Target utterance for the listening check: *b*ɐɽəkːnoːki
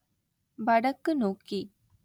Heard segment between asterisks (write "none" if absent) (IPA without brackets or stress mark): b